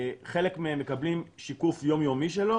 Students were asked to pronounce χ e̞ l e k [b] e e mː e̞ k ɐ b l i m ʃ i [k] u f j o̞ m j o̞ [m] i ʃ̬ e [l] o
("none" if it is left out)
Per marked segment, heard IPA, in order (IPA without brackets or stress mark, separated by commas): m, k, m, l